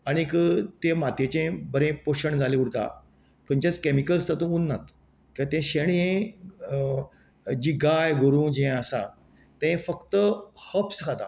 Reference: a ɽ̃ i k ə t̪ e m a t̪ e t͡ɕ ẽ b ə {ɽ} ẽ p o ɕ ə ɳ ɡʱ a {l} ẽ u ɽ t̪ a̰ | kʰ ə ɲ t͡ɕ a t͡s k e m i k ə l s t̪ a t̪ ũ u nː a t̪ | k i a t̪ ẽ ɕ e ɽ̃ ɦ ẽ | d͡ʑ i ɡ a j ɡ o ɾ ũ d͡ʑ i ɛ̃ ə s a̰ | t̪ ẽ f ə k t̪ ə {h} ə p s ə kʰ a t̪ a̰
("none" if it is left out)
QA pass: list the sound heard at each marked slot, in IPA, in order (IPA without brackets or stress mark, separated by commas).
ɾ, l, h